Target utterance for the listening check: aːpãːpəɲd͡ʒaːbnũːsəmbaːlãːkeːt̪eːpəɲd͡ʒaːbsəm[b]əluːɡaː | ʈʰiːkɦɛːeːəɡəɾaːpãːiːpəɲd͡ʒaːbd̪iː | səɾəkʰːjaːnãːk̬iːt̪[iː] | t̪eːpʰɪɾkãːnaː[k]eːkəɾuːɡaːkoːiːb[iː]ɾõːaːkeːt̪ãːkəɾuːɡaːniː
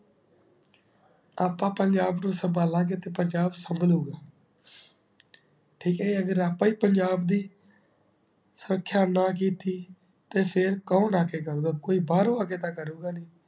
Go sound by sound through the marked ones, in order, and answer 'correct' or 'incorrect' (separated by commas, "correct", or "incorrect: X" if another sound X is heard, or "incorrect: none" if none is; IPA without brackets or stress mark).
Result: correct, correct, correct, incorrect: aː